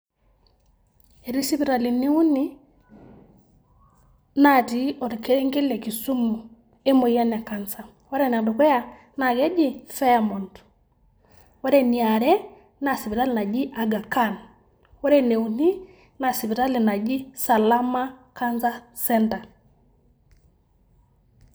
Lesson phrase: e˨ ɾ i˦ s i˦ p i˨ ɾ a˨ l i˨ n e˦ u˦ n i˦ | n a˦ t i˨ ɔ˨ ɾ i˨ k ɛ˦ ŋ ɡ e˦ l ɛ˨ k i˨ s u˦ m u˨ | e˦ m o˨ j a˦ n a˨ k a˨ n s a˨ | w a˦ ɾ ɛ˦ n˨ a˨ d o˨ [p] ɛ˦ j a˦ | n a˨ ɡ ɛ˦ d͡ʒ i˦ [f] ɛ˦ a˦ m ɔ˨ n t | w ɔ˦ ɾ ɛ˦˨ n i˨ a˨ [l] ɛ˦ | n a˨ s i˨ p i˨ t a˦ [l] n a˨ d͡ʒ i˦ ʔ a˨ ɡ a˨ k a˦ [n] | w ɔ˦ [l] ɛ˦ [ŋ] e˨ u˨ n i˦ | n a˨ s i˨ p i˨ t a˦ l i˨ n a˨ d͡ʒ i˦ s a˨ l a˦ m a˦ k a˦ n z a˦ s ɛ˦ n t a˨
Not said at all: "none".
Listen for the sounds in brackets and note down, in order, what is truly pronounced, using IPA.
k, f, ɾ, l, n, ɾ, n

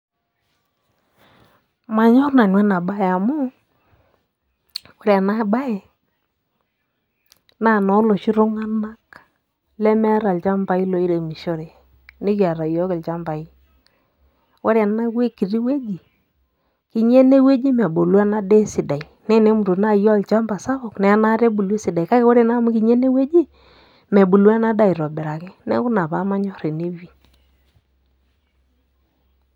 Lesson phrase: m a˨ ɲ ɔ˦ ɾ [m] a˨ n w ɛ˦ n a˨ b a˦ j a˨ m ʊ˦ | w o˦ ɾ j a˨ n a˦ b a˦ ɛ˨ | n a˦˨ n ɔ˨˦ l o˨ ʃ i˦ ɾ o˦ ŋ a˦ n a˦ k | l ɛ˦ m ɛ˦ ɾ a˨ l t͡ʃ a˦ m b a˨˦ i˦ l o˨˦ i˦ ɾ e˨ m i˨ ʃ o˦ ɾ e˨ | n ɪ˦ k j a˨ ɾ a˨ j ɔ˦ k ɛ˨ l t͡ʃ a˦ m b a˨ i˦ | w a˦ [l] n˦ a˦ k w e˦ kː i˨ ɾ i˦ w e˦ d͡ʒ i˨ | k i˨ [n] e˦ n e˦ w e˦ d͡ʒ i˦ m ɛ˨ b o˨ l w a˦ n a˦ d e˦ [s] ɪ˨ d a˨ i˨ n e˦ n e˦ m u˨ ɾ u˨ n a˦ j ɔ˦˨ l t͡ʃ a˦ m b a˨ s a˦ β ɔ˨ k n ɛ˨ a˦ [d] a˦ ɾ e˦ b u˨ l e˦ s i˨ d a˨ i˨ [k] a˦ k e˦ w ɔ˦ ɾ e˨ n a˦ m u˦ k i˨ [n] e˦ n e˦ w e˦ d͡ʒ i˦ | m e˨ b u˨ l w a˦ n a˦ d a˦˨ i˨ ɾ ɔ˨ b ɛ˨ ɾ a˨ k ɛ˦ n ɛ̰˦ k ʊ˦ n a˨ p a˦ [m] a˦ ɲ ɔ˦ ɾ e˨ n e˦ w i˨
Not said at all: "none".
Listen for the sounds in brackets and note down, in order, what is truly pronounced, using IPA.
n, ɾ, ɲ, s, n, k, ɲ, m

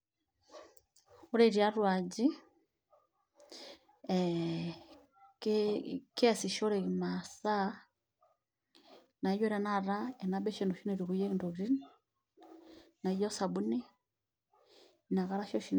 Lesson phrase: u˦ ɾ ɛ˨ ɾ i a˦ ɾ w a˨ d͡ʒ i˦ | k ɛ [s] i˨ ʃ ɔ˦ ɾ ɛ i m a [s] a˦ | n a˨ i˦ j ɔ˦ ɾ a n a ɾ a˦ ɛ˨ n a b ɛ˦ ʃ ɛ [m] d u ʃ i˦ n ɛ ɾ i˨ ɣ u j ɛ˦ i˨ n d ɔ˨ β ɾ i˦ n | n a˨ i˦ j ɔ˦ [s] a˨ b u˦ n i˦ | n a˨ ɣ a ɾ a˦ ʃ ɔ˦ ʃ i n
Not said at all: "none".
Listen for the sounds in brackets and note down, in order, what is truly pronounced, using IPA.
s, s, n, s

